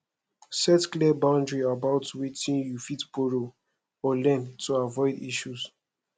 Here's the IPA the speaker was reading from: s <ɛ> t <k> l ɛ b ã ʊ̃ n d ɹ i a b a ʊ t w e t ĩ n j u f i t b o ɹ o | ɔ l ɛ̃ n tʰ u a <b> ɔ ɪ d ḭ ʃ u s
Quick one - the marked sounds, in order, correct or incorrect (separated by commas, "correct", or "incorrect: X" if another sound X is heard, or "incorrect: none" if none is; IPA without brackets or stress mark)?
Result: correct, correct, incorrect: v